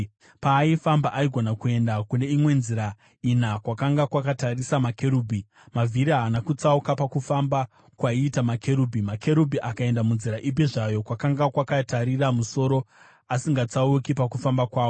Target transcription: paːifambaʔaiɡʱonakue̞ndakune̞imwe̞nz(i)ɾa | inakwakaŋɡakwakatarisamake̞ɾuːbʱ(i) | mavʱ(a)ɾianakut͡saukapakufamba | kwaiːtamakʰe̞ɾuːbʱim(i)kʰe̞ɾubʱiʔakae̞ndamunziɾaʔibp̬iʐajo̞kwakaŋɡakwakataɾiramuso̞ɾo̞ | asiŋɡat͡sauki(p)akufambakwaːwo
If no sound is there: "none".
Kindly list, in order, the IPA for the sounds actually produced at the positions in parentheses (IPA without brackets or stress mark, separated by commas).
i, i, i, a, p